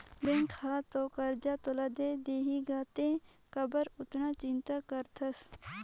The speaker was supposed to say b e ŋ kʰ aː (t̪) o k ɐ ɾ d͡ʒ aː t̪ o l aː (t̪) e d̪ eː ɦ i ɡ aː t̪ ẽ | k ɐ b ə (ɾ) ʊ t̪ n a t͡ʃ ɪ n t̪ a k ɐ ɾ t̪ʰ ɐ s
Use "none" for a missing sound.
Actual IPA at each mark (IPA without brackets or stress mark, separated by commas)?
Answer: t̪, d̪, ɾ